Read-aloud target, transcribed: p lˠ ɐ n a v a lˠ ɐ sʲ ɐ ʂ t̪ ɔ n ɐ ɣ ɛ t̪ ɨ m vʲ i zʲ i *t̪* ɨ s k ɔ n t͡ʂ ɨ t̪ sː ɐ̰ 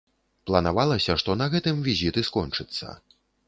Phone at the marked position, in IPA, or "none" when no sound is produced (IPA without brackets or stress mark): t̪